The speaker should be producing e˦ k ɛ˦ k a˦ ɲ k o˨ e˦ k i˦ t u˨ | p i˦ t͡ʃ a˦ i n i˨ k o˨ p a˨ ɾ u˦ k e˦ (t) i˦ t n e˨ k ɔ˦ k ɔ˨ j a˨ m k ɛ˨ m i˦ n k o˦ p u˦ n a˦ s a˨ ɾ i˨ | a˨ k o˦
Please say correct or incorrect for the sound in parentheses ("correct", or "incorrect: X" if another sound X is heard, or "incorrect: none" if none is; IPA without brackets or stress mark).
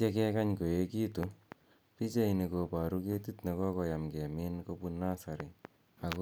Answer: correct